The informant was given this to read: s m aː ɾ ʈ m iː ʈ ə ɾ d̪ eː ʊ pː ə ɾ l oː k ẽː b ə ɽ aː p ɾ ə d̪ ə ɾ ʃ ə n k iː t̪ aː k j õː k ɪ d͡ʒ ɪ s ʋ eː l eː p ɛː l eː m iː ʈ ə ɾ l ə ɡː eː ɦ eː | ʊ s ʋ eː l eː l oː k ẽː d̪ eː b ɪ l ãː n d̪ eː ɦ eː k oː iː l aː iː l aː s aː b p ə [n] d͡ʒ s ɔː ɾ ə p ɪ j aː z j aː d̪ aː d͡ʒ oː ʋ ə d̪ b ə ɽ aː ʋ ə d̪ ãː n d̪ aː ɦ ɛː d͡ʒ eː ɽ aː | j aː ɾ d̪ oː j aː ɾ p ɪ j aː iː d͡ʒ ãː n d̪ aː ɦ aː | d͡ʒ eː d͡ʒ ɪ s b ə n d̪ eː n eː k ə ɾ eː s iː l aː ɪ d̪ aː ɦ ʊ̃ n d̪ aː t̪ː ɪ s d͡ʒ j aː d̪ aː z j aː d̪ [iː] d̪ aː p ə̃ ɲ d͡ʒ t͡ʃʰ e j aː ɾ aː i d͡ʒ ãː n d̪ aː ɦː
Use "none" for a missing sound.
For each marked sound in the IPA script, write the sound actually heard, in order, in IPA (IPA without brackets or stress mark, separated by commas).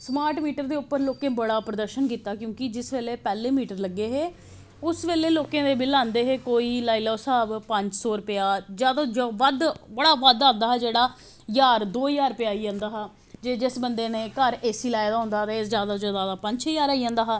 ɲ, aː